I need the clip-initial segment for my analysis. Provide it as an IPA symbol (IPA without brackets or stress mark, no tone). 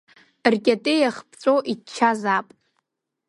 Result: r